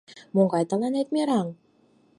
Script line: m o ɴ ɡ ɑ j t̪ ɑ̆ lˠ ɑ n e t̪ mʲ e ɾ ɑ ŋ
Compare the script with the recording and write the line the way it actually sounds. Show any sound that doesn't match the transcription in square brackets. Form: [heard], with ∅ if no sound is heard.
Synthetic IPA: m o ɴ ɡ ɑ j t̪ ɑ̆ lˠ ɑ n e t̪ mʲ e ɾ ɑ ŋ